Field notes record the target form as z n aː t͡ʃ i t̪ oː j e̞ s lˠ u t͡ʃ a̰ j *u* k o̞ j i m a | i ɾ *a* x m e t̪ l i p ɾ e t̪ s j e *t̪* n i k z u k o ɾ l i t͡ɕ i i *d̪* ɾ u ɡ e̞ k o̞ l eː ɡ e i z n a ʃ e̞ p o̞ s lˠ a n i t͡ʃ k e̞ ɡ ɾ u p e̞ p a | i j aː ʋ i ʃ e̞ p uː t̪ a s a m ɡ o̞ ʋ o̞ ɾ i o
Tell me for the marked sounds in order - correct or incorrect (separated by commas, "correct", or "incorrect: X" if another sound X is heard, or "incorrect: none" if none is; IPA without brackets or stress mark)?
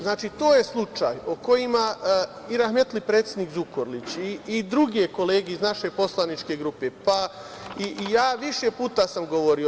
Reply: incorrect: o, correct, incorrect: d̪, correct